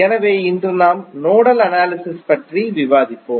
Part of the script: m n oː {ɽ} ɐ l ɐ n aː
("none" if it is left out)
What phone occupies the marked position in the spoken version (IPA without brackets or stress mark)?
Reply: ɽ